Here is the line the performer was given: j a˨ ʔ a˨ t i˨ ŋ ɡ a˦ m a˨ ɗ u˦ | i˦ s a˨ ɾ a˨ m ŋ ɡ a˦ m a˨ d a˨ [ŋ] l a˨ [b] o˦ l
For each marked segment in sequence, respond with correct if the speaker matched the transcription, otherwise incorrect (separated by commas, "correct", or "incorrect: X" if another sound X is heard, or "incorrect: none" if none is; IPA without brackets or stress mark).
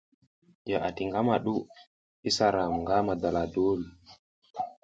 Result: incorrect: none, incorrect: d